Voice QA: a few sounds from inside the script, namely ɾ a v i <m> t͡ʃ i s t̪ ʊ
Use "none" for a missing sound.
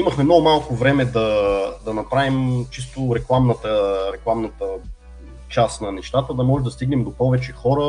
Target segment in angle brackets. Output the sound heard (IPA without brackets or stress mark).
m